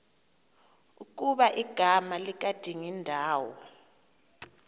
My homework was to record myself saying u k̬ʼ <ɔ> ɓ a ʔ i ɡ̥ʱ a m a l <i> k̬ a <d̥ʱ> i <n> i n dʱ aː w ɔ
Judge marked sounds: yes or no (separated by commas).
no, yes, yes, no